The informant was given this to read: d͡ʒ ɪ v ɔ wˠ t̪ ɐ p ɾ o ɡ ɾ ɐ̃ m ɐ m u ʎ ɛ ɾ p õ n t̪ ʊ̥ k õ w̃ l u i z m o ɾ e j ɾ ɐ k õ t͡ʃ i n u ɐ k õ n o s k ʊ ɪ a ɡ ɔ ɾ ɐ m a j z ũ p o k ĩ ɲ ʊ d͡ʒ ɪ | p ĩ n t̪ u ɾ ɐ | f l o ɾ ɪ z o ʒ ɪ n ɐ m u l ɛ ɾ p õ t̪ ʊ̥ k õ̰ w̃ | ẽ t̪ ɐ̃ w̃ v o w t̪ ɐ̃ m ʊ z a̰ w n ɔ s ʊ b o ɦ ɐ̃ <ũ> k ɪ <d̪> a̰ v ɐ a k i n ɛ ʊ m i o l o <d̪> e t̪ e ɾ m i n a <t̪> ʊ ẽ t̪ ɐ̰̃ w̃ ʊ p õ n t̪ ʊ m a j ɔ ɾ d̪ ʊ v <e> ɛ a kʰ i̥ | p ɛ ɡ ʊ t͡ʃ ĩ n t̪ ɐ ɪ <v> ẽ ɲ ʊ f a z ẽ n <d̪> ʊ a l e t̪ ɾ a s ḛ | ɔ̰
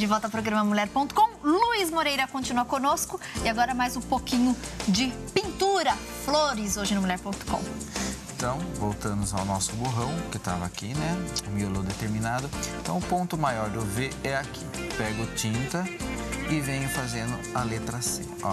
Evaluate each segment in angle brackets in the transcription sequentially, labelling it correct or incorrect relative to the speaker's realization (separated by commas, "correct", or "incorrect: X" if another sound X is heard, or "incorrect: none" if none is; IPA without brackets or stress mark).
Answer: incorrect: w̃, incorrect: t̪, correct, incorrect: d̪, correct, correct, correct